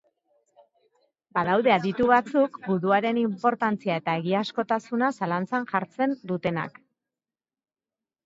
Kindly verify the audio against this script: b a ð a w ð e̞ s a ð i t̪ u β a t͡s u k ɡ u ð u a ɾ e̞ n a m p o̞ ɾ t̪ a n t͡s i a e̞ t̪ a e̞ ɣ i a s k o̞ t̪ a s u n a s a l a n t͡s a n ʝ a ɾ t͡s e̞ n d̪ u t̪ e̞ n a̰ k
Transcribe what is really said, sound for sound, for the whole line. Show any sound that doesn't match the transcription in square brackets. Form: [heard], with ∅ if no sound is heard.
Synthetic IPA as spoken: b a ð a w ð e̞ [∅] a ð i t̪ u β a t͡s u k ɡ u ð u a ɾ e̞ n [i] m p o̞ ɾ t̪ a n t͡s i a e̞ t̪ a e̞ ɣ i a s k o̞ t̪ a s u n a s a l a n t͡s a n ʝ a ɾ t͡s e̞ n d̪ u t̪ e̞ n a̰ k